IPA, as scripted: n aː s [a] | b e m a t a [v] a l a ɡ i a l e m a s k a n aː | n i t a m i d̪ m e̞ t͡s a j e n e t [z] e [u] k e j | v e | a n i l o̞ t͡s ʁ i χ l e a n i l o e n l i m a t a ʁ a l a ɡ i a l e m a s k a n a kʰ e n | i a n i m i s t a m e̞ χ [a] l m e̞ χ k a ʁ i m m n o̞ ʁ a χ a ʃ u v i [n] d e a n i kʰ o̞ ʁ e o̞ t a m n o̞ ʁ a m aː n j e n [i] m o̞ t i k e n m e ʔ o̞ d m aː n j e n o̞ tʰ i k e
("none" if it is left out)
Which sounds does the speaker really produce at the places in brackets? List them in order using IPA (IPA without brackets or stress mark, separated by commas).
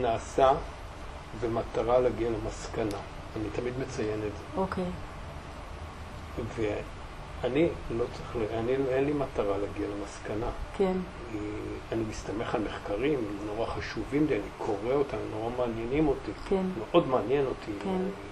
a, ʁ, z, o, a, m, i